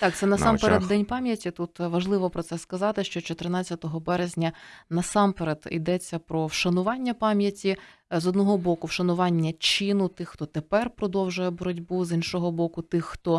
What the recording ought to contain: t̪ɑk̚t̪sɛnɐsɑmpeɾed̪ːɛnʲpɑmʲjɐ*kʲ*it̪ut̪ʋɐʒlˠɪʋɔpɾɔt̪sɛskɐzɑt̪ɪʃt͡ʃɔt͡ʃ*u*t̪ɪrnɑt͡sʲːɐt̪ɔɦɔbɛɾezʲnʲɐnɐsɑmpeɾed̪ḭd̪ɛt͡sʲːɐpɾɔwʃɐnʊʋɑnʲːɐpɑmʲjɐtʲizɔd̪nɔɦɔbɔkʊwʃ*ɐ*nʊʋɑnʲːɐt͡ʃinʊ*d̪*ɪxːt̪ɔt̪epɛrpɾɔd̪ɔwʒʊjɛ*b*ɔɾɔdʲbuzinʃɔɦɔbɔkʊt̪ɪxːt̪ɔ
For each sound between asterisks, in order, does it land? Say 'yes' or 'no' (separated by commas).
no, no, yes, no, yes